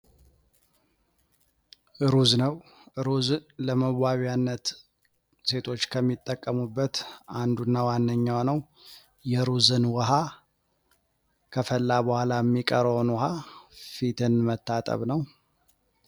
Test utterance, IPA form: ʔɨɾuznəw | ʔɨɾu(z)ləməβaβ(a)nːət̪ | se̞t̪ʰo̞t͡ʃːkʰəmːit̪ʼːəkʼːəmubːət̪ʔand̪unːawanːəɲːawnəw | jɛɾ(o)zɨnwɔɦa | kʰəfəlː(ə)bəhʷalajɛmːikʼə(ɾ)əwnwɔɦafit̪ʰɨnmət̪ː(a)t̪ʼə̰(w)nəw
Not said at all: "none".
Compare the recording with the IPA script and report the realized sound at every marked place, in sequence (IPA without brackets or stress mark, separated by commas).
z, a, u, a, ɾ, a, β